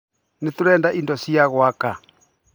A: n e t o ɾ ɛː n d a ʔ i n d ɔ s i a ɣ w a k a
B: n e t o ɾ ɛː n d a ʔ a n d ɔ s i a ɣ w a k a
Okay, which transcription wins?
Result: A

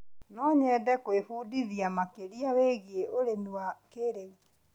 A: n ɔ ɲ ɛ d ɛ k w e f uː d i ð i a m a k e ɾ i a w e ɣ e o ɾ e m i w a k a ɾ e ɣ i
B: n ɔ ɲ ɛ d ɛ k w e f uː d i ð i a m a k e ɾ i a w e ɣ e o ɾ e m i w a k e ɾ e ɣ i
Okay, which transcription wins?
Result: B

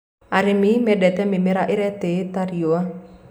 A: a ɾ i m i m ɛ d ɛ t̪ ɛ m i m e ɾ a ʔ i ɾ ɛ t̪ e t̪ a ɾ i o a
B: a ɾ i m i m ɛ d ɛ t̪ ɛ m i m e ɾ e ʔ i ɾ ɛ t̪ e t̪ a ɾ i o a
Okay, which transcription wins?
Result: A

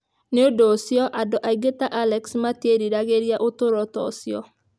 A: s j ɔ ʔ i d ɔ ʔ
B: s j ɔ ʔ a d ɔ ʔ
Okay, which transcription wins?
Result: B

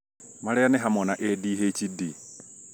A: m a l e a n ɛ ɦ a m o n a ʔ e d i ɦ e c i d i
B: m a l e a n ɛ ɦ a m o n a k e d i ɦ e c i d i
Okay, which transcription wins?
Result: A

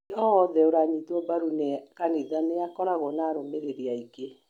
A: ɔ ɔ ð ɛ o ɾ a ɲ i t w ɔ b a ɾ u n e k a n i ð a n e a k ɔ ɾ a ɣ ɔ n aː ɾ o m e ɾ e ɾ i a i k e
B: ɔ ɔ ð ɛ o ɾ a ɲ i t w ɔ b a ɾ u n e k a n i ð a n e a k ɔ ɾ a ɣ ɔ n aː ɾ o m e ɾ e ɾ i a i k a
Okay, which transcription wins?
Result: A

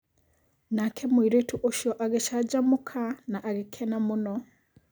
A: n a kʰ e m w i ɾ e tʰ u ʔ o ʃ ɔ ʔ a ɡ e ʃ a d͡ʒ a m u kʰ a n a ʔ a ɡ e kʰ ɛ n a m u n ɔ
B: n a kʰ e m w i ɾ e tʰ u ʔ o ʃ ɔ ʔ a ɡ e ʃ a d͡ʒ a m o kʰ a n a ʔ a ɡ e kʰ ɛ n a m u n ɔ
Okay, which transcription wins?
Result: A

